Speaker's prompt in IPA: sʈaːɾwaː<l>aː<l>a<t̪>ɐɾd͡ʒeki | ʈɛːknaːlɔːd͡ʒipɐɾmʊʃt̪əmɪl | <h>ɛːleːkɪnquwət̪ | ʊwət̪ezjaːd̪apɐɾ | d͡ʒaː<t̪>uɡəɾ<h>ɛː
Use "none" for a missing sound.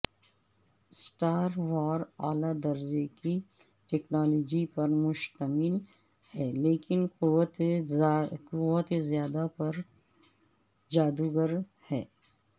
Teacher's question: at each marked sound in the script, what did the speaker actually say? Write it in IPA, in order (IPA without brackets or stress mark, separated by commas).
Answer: ɾ, l, d̪, h, d̪, h